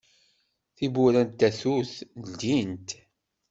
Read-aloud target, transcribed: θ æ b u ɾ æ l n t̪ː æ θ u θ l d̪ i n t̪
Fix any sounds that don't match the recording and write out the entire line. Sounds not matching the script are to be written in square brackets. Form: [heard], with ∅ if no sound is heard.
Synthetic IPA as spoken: θ [i] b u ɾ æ [∅] n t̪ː æ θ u θ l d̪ i n t̪